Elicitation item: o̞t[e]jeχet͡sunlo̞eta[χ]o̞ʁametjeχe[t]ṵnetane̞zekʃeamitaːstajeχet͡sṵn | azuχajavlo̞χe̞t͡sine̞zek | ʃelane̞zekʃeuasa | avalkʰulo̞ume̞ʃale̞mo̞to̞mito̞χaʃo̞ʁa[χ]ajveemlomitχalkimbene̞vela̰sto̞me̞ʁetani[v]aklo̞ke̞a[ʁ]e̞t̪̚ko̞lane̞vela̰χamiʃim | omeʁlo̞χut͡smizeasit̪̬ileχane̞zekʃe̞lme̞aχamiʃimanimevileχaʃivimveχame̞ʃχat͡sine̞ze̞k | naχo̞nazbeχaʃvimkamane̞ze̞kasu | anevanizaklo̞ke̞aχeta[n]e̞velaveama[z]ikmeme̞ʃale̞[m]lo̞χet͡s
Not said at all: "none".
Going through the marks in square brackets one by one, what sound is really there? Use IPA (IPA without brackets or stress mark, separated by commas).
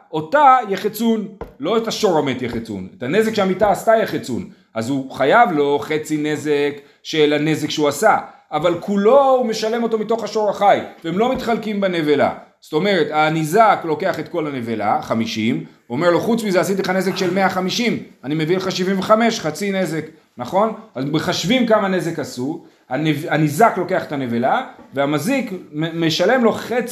a, ʃ, t͡s, χ, z, χ, n, z, m